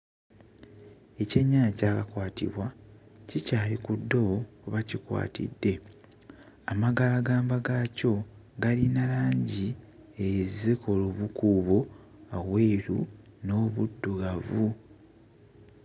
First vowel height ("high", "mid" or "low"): mid